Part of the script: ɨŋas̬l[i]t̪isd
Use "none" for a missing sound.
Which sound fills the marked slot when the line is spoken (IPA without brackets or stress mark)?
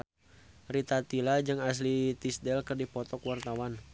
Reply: i